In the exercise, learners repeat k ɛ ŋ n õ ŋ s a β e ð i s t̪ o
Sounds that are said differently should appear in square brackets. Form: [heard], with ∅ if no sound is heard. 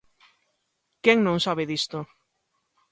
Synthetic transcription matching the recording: k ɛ ŋ n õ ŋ s a β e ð i s t̪ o